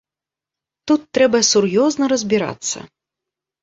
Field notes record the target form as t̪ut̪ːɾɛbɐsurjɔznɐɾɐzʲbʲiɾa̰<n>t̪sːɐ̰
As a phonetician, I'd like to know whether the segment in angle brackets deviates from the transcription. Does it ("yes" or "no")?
yes